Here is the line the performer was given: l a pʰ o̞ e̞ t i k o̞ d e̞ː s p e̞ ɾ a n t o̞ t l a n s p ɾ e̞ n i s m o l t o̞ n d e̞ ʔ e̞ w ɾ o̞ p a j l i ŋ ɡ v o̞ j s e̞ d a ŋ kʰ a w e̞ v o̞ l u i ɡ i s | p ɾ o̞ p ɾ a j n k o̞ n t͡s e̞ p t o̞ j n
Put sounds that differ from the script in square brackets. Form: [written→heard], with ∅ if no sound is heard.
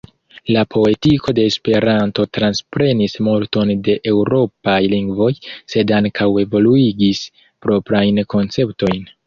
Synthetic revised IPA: l a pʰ o̞ e̞ t i k o̞ d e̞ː s p e̞ ɾ a n t o̞ t [l→ɾ] a n s p ɾ e̞ n i s m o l t o̞ n d e̞ ʔ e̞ w ɾ o̞ p a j l i ŋ ɡ v o̞ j s e̞ d a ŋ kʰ a w e̞ v o̞ l u i ɡ i s | p ɾ o̞ p ɾ a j n k o̞ n t͡s e̞ p t o̞ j n